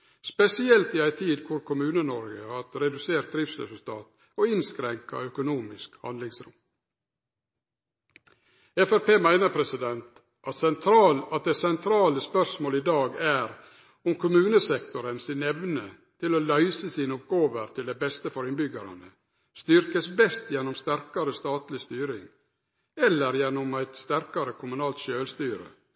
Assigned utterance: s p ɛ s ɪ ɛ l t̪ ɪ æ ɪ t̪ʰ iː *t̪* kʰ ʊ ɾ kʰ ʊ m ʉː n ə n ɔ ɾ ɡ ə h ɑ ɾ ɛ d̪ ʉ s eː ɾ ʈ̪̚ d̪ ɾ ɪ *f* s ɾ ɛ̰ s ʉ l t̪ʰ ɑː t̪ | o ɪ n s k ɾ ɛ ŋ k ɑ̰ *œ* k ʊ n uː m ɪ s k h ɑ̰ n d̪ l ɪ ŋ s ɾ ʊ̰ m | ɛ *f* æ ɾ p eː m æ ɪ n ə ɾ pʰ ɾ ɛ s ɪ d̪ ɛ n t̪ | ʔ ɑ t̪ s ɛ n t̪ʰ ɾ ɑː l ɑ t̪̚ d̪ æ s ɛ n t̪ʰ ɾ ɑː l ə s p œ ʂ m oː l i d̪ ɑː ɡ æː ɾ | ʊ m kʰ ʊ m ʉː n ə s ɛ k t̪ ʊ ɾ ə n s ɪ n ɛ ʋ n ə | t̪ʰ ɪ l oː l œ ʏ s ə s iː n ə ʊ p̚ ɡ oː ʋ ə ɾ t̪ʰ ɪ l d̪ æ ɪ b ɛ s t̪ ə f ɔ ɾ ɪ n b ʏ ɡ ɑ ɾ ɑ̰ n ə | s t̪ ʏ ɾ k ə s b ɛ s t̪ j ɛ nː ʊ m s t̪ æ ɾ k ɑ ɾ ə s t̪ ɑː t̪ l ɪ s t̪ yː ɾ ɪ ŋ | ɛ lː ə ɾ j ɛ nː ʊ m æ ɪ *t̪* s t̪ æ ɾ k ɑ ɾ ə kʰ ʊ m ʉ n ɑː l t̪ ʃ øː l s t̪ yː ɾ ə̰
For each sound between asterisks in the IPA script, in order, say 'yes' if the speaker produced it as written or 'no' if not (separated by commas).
no, yes, yes, yes, yes